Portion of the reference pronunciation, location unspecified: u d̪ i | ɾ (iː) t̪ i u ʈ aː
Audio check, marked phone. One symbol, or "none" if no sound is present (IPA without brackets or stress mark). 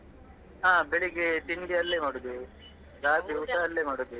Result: aː